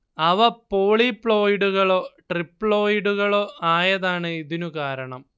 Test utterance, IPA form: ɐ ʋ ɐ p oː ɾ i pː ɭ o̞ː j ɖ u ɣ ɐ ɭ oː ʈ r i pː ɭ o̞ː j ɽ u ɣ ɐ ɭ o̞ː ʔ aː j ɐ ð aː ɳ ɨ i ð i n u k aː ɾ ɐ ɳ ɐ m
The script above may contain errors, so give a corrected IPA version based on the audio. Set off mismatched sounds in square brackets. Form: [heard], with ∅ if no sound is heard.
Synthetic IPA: ɐ ʋ ɐ p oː [ɭ] i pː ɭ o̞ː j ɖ u ɣ ɐ ɭ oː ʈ r i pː ɭ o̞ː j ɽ u ɣ ɐ ɭ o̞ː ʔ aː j ɐ ð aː ɳ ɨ i ð i n u k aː ɾ ɐ ɳ ɐ m